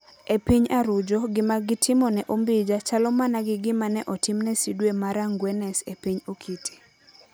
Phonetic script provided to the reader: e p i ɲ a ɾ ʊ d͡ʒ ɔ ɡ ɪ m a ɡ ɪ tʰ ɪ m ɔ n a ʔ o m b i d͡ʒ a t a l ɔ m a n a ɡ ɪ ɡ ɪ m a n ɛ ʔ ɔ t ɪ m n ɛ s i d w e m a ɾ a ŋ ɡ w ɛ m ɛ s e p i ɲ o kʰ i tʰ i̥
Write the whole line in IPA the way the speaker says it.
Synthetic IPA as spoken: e p i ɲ a ɾ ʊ d͡ʒ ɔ ɡ ɪ m a ɡ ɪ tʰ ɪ m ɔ n ɛ ʔ o m b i d͡ʒ a t͡ʃ a l ɔ m a n a ɡ ɪ ɡ ɪ m a n ɛ ʔ ɔ t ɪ m n ɛ s i d w e m a ɾ a ŋ ɡ w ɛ n ɛ s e p i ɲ o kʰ i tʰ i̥